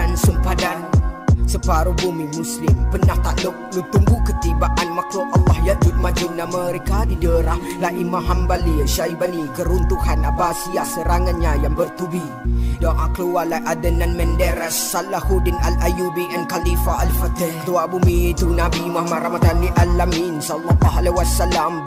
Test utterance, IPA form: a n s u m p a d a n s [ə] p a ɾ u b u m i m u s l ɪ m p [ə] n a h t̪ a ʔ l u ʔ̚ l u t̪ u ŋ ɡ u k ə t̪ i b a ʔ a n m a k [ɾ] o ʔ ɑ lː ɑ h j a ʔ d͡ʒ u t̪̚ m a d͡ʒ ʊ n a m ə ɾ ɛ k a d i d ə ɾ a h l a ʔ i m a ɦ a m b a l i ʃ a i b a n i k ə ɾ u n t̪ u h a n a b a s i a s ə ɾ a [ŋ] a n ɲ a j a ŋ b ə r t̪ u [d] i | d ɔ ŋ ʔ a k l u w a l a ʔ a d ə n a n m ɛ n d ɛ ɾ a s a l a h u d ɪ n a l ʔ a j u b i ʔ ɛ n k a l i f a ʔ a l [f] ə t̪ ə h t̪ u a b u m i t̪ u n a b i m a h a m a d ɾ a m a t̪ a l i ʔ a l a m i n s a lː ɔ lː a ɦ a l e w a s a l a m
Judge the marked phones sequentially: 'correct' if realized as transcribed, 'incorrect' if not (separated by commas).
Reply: correct, correct, incorrect, correct, incorrect, correct